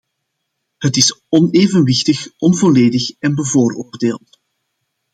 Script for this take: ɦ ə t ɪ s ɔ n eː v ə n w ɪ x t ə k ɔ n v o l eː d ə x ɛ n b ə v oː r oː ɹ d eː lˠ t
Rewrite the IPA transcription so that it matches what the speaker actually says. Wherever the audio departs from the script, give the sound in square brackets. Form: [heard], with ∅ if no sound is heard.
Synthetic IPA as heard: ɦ ə t ɪ s ɔ n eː v ə n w ɪ x t ə [x] ɔ n v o l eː d ə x ɛ n b ə v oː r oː [r] d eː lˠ t